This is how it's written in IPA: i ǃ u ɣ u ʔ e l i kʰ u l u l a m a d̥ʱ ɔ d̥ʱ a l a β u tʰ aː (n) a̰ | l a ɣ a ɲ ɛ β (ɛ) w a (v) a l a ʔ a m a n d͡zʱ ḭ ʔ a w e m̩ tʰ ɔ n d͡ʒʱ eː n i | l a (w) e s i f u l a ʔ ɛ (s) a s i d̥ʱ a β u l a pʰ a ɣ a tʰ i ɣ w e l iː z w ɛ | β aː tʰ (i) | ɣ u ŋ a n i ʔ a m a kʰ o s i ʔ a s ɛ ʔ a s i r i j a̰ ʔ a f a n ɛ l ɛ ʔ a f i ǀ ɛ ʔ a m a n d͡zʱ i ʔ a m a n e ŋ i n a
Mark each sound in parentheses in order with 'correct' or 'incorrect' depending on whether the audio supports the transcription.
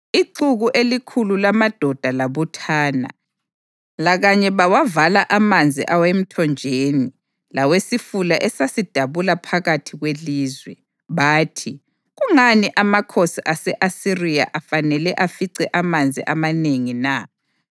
correct, incorrect: a, correct, correct, correct, correct

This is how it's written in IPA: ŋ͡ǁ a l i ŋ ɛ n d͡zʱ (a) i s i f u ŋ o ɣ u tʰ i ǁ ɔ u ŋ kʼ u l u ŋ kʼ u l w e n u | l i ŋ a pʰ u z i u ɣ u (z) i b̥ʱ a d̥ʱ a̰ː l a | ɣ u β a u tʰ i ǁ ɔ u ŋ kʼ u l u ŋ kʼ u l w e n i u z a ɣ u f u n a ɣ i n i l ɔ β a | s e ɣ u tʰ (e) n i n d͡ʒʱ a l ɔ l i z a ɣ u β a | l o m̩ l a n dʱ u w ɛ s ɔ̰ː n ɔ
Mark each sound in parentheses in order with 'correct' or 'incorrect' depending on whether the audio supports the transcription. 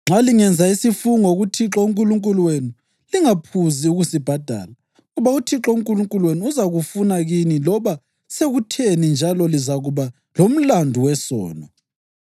correct, incorrect: s, correct

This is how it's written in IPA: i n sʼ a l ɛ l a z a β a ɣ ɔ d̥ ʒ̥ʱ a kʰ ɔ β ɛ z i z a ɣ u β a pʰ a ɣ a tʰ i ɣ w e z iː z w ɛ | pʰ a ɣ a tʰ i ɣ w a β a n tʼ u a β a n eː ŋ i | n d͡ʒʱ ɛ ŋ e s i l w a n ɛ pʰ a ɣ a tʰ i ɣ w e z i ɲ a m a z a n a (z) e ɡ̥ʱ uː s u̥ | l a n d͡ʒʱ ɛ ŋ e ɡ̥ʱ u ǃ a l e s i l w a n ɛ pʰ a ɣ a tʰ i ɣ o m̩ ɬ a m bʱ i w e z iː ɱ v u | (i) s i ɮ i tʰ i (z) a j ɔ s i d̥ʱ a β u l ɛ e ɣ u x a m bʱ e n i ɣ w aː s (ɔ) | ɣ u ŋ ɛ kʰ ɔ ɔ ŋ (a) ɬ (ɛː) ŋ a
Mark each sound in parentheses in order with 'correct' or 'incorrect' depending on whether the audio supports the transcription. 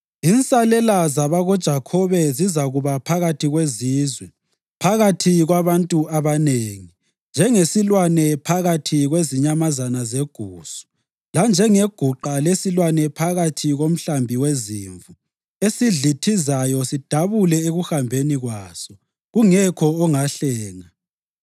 correct, incorrect: e, correct, correct, correct, correct

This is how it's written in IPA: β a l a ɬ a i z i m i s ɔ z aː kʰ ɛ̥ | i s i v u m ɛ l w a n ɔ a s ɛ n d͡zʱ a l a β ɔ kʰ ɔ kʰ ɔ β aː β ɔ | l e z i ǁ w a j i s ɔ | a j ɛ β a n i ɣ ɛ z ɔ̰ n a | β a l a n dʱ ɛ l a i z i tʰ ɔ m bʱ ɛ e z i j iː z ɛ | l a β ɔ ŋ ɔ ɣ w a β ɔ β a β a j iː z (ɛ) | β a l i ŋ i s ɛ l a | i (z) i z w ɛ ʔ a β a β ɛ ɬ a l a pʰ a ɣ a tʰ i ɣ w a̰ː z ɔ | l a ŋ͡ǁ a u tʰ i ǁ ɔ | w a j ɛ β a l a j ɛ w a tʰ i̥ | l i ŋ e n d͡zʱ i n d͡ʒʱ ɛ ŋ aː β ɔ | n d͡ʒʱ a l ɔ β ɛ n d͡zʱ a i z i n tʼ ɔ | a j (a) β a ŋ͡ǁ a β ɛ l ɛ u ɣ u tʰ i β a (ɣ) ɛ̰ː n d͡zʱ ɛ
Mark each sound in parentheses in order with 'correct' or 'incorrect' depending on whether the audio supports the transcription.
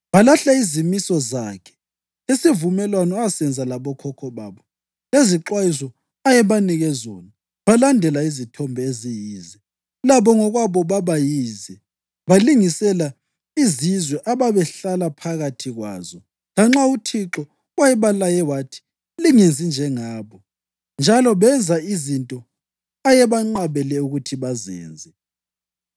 correct, correct, incorrect: ɛ, incorrect: z

